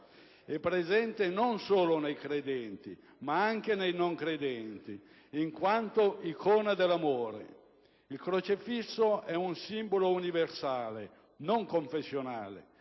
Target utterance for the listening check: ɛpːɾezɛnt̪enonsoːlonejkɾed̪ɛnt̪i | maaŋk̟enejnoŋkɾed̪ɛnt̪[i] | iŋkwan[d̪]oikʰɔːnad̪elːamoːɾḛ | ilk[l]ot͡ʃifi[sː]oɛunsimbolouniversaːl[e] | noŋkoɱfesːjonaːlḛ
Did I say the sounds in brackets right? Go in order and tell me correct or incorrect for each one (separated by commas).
correct, incorrect, incorrect, correct, correct